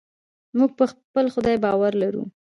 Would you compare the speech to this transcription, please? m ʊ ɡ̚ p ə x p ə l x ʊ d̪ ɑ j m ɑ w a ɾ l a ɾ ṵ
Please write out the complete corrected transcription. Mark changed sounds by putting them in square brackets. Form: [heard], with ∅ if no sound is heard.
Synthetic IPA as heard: m [u] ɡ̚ p ə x p ə l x ʊ d̪ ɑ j [b] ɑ w a ɾ l a ɾ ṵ